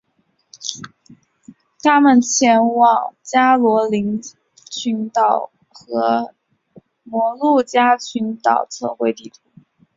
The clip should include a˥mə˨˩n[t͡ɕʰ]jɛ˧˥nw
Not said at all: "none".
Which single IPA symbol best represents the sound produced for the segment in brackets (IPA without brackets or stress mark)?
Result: t͡ɕʰ